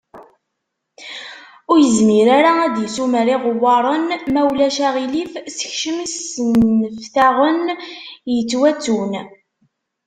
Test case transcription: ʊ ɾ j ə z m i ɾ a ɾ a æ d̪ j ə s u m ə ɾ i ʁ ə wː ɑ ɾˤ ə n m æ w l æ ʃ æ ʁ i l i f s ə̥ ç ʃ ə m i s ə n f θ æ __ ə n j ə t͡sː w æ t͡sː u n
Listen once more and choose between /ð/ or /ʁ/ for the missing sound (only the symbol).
ʁ